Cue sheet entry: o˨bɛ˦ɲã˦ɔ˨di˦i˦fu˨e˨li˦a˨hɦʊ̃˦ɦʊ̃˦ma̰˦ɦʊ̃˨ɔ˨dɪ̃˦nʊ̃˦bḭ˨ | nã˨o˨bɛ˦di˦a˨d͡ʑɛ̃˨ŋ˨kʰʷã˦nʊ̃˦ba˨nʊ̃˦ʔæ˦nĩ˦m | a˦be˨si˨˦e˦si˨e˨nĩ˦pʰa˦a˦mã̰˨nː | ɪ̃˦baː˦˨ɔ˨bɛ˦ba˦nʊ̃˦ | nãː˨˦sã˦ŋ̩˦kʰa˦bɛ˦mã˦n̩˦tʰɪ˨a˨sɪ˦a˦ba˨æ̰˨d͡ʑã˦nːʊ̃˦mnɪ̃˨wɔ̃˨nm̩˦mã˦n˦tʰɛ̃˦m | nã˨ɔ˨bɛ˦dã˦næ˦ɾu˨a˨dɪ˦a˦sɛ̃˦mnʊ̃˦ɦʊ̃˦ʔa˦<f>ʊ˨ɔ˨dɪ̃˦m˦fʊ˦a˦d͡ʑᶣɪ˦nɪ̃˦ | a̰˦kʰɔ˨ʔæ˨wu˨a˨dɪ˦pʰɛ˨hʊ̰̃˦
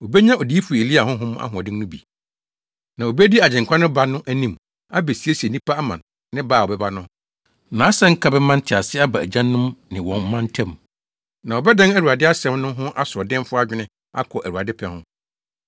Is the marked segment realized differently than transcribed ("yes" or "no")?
yes